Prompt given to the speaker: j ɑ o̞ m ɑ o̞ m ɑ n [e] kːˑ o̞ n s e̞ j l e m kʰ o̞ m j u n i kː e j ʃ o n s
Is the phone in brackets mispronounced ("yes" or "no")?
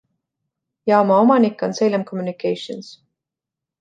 yes